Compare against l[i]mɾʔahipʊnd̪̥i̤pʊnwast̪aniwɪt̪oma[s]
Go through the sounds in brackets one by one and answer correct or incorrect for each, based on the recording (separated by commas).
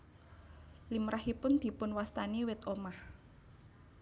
correct, incorrect